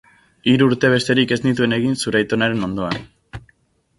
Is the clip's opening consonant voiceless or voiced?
voiced